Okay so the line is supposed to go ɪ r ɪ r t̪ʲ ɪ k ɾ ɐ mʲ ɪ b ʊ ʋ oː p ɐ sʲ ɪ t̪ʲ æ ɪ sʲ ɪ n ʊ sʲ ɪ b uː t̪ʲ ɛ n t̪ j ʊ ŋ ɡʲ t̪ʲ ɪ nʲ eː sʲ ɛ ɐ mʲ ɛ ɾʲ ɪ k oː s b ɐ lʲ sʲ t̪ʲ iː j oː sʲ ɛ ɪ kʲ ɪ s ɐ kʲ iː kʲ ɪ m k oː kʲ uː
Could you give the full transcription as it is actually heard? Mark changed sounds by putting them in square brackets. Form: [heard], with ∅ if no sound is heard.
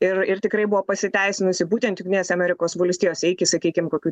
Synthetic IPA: ɪ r ɪ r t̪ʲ ɪ k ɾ ɐ [∅] ɪ b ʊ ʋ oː p ɐ sʲ ɪ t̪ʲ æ ɪ sʲ ɪ n ʊ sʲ ɪ b uː t̪ʲ ɛ n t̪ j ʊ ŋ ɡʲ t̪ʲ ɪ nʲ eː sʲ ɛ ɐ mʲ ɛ ɾʲ ɪ k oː s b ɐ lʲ sʲ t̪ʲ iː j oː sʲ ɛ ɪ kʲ ɪ s ɐ kʲ iː kʲ ɪ m k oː kʲ uː